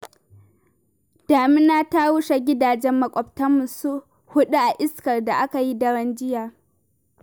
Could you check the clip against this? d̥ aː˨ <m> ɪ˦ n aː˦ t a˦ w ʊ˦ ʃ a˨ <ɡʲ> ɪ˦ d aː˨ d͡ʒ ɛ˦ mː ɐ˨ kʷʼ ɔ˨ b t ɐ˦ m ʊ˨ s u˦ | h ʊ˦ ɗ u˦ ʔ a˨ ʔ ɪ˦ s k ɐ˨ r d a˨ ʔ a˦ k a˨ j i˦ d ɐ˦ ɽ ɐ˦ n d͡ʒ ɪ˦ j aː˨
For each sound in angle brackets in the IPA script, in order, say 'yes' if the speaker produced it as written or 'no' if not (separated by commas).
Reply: yes, yes